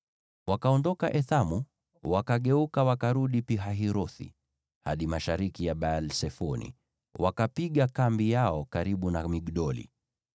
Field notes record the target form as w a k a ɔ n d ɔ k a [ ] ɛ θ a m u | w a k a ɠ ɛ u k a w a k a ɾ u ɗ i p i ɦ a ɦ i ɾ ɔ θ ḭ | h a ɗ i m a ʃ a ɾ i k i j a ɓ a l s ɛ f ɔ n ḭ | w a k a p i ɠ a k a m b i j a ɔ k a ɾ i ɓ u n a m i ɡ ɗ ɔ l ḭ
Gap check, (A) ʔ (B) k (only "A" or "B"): A